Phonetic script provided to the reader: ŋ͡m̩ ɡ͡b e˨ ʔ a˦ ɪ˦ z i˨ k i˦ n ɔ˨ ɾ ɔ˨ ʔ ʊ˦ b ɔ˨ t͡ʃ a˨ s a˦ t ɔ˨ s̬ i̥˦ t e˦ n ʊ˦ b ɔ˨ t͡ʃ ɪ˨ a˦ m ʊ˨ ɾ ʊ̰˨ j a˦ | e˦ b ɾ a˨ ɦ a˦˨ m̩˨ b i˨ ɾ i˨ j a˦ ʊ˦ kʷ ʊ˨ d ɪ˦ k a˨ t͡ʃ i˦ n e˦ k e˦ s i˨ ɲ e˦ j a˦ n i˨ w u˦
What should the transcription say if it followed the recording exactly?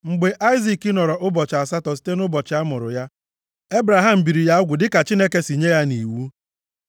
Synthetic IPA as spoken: ŋ͡m̩ ɡ͡b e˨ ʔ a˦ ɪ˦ z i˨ k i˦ n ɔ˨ ɾ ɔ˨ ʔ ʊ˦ b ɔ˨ t͡ʃ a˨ s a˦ t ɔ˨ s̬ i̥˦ t e˦ n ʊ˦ b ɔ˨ t͡ʃ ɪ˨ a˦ m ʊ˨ ɾ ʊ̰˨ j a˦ | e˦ b ɾ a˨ ɦ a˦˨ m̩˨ b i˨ ɾ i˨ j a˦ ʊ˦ ɡʷ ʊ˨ d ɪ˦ k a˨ t͡ʃ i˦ n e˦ k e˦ s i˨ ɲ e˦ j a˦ n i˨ w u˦

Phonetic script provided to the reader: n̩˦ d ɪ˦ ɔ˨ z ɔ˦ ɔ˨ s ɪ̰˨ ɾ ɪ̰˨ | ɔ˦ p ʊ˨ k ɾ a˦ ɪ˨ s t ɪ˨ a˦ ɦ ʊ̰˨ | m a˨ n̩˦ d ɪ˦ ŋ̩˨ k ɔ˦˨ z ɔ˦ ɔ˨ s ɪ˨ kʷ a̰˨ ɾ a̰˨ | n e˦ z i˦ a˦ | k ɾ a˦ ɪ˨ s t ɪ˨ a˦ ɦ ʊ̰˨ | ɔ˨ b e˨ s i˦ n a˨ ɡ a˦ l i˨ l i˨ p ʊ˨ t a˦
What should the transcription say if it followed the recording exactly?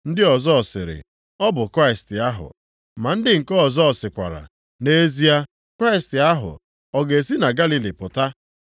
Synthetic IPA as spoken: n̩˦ d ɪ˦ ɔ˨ z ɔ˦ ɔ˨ s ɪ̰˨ ɾ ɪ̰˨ | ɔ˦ b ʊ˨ k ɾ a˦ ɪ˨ s t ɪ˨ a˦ ɦ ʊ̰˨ | m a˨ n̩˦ d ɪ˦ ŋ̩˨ k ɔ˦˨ z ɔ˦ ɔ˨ s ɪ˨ kʷ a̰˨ ɾ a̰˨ | n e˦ z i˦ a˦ | k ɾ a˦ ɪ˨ s t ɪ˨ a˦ ɦ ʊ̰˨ | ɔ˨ ɡ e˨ s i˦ n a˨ ɡ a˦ l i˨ l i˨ p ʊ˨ t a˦

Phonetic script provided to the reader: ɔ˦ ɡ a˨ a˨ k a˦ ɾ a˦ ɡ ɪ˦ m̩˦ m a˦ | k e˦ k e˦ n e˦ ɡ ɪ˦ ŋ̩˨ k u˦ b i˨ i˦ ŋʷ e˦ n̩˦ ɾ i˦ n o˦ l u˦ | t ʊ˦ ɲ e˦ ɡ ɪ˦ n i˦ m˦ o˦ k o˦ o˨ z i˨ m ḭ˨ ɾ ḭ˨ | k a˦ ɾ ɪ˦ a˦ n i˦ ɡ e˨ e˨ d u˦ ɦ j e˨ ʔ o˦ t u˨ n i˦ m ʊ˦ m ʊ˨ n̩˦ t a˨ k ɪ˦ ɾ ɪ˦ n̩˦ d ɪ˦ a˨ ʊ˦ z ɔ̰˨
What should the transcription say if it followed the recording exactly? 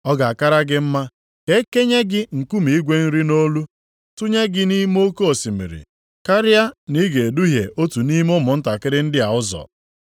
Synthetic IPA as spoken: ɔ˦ ɡ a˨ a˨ k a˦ ɾ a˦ ɡ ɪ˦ m̩˦ m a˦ | k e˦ k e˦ ɲ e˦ ɡ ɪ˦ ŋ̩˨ k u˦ m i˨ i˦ ɡʷ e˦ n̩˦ ɾ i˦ n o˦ l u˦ | t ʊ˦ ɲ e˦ ɡ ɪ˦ n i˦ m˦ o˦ k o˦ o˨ s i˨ m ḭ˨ ɾ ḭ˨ | k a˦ ɾ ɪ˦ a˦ n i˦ ɡ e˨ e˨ d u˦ ɦ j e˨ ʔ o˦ t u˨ n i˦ m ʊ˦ m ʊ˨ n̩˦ t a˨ k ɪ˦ ɾ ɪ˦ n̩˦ d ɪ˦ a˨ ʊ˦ z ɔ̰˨

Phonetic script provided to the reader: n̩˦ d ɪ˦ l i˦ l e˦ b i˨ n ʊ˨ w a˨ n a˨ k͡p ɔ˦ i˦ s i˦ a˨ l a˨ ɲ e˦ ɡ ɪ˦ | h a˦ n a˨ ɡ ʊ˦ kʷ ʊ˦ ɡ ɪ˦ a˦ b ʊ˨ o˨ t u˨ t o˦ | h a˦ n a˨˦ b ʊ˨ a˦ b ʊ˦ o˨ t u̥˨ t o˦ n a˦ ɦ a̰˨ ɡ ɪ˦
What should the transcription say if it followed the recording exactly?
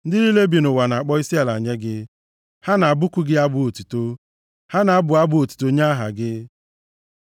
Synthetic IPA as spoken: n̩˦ d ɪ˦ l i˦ l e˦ b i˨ n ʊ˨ w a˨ n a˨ k͡p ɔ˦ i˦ s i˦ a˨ l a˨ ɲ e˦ ɡ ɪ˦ | h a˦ n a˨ b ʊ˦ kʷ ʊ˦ ɡ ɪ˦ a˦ b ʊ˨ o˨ t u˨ t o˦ | h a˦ n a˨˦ b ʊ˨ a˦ b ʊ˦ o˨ t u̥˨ t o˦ ɲ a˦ ɦ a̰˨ ɡ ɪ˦

